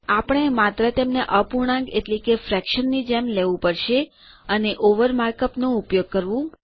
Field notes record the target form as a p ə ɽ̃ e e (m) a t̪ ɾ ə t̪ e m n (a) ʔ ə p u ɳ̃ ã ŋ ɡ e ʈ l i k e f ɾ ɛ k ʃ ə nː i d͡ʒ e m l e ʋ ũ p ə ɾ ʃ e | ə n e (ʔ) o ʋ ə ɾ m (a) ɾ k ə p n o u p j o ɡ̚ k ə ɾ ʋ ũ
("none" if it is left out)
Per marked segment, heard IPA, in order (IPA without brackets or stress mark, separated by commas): m, e, ʔ, a